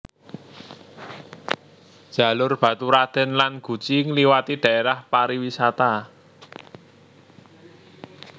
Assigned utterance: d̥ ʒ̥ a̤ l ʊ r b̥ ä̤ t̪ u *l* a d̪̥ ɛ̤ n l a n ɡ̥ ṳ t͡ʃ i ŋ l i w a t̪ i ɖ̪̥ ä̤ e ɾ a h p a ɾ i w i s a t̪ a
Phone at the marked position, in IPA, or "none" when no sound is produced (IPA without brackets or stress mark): ɾ